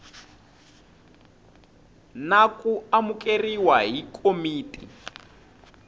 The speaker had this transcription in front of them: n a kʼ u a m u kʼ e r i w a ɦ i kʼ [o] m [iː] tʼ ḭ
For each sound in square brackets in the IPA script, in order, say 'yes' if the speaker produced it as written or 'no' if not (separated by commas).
yes, yes